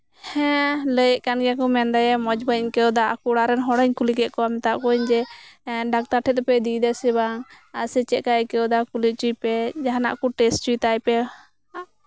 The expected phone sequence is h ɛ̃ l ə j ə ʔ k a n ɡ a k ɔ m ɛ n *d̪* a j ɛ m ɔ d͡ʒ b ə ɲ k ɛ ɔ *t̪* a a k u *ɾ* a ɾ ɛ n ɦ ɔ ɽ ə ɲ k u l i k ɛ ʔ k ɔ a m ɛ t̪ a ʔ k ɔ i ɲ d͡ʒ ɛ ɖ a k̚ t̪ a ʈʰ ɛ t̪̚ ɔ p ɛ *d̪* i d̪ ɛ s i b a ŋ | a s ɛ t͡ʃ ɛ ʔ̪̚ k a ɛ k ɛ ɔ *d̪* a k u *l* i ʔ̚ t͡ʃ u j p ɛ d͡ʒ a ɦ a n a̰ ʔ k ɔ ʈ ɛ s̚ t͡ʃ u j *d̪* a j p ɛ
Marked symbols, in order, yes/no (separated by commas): yes, no, no, yes, yes, yes, no